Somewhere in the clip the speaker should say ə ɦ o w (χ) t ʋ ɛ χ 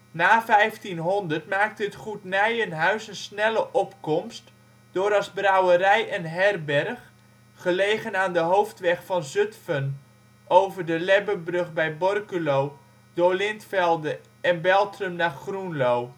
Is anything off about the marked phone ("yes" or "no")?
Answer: yes